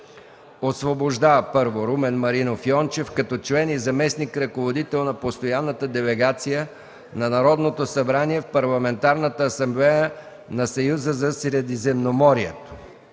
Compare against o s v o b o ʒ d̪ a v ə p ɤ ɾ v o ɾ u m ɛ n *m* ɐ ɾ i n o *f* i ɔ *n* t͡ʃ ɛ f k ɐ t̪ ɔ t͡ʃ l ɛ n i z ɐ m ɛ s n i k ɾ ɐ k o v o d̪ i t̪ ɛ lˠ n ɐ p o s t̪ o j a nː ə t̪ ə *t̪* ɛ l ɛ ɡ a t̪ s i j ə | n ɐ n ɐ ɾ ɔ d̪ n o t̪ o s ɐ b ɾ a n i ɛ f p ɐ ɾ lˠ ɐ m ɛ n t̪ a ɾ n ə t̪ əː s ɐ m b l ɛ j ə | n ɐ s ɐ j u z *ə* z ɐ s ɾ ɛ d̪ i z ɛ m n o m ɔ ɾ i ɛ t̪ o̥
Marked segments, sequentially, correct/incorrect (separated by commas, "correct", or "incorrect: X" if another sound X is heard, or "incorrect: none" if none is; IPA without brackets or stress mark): correct, correct, correct, incorrect: d̪, correct